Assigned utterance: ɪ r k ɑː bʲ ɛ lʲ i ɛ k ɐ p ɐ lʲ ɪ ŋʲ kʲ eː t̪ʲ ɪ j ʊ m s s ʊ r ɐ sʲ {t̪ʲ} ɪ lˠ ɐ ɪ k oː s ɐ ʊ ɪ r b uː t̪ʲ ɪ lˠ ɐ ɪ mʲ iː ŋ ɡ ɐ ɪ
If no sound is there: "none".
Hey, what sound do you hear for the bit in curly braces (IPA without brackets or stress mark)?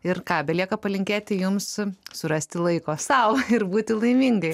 t̪ʲ